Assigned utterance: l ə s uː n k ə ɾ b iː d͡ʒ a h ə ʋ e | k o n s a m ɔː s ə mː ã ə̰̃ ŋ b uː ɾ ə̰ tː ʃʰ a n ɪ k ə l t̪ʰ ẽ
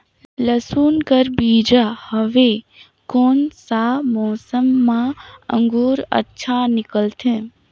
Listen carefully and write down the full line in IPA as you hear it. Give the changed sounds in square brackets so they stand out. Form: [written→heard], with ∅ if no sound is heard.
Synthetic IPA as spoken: l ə s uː n k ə ɾ b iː d͡ʒ a h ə ʋ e | k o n s a m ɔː s ə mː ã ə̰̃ ŋ [b→ɡ] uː ɾ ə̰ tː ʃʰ a n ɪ k ə l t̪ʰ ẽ